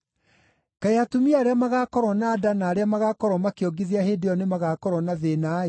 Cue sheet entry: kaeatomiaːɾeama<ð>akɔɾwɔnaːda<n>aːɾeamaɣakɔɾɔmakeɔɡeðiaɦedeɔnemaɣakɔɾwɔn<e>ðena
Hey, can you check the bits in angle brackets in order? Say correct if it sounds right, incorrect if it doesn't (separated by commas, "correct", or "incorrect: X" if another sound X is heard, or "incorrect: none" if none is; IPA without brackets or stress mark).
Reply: incorrect: ɣ, correct, incorrect: a